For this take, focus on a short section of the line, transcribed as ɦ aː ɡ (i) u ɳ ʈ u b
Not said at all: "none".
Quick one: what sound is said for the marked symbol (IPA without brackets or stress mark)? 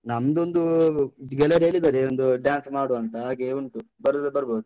e